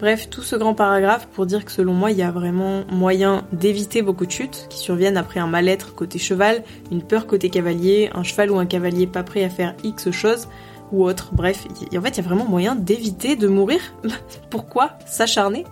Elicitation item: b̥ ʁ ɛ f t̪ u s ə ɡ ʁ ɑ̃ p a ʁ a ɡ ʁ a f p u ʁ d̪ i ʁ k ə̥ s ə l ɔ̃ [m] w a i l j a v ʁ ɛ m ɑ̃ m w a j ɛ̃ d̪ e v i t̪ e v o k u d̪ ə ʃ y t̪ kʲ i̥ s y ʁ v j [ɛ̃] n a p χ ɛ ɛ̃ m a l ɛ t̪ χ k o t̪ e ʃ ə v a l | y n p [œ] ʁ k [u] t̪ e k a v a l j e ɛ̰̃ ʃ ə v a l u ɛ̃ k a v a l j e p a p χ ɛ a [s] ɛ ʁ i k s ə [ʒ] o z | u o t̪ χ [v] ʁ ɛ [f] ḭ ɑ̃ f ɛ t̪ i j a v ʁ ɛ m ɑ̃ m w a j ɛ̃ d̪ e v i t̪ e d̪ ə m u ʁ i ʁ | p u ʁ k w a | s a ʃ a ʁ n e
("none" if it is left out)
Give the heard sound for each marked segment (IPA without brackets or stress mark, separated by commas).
m, ɛ, œ, o, f, ʃ, b, f